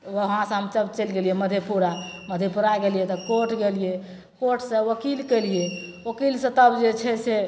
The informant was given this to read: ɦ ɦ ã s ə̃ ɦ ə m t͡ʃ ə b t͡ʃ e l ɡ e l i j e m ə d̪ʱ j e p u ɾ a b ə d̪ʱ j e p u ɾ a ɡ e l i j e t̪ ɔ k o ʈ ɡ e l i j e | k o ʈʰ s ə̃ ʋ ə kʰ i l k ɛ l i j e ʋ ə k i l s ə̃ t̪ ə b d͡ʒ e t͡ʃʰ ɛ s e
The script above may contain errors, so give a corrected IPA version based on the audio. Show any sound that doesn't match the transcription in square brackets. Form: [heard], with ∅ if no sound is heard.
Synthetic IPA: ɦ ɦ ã s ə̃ ɦ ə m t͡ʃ ə b t͡ʃ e l ɡ e l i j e m ə d̪ʱ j e p u ɾ a [m] ə d̪ʱ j e p u ɾ a ɡ e l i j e t̪ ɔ k o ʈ ɡ e l i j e | k o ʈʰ s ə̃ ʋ ə [k] i l k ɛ l i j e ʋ ə k i l s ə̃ t̪ ə b d͡ʒ e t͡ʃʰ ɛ s e